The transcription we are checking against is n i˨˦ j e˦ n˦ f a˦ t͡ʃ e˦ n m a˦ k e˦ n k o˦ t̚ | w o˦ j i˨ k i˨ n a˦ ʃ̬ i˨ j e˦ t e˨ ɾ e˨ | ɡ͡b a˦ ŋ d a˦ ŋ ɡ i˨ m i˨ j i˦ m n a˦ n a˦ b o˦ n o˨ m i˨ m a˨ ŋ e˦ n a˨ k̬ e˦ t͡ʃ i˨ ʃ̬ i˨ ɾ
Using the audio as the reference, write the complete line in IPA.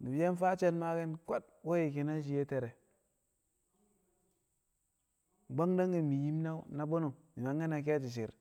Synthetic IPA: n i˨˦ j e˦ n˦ f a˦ t͡ʃ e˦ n m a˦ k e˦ n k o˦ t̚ | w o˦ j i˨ k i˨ n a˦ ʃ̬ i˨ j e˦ t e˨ ɾ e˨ | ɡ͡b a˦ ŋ d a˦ ŋ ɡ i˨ m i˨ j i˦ m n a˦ n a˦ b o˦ n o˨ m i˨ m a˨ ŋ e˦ n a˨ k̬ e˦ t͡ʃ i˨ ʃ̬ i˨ ɾ